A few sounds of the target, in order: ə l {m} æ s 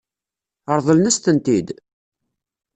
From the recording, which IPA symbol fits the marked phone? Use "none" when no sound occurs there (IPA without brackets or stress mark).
n